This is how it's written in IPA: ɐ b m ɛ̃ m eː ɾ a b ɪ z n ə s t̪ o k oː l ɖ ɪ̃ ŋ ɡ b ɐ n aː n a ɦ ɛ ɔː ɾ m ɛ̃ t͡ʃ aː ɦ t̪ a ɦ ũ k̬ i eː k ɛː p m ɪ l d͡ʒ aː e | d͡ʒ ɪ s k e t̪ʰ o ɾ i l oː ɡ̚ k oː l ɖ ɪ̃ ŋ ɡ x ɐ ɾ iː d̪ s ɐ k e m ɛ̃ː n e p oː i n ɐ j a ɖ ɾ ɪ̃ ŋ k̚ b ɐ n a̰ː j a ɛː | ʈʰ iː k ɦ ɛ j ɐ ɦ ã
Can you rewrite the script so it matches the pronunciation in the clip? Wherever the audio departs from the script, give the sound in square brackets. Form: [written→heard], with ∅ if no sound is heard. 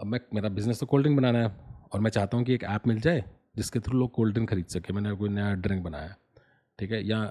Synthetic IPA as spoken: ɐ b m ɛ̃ m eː ɾ a b ɪ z n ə s t̪ o k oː l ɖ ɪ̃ ŋ ɡ b ɐ n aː n a ɦ ɛ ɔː ɾ m ɛ̃ t͡ʃ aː ɦ t̪ a ɦ ũ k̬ i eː k ɛː p m ɪ l d͡ʒ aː e | d͡ʒ ɪ s k e t̪ʰ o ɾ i l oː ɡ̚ k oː l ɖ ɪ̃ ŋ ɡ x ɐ ɾ iː d̪ s ɐ k e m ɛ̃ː n e [p→k] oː i n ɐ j a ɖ ɾ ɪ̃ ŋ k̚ b ɐ n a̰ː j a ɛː | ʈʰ iː k ɦ ɛ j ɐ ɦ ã